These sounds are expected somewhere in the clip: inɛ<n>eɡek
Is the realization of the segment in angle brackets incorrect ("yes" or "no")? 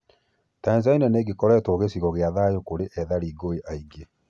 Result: no